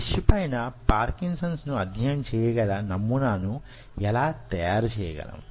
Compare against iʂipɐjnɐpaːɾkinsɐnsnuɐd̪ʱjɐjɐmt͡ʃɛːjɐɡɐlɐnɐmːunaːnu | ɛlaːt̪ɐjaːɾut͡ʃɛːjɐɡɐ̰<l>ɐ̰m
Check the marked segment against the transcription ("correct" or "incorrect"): correct